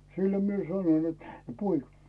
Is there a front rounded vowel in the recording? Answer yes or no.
no